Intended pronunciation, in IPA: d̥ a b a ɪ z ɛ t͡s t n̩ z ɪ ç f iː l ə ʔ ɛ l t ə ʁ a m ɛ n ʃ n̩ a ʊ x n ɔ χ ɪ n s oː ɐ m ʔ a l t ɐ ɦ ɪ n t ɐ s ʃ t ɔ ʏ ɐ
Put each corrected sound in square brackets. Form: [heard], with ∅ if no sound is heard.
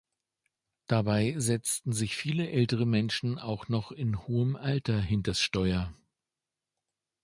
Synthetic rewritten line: d̥ a b a ɪ z ɛ t͡s t n̩ z ɪ ç f iː l ə ʔ ɛ l t ə ʁ [ə] m ɛ n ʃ n̩ a ʊ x n ɔ χ ɪ n [h] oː [ə] m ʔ a l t ɐ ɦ ɪ n t ɐ s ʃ t ɔ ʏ ɐ